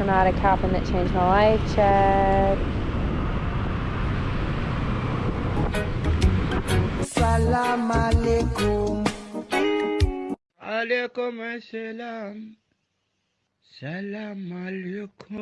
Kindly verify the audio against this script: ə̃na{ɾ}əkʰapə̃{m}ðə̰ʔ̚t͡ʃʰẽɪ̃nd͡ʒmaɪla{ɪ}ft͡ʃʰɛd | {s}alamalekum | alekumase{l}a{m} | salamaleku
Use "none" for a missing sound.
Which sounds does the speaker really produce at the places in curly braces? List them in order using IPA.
ɾ, n, ɪ, s, l, m

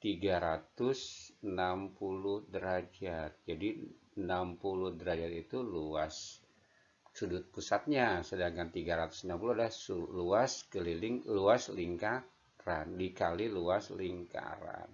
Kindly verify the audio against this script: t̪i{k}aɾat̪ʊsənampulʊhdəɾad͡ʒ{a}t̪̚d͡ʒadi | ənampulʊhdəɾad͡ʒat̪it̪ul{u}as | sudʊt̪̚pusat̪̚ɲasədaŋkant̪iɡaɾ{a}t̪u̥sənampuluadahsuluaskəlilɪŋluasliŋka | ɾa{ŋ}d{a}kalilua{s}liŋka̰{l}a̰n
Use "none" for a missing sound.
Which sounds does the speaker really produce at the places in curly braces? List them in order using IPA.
ɡ, a, u, a, n, i, s, ɾ

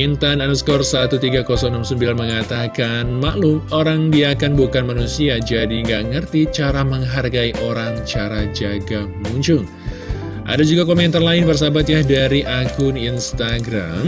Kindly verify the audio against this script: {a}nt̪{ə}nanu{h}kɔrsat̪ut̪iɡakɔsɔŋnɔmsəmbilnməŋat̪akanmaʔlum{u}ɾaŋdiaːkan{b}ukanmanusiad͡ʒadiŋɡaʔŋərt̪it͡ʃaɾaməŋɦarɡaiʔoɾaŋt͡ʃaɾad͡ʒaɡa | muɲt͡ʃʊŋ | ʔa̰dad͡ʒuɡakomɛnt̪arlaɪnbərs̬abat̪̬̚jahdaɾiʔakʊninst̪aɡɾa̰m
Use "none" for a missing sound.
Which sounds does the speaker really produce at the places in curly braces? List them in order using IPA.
i, a, s, o, b

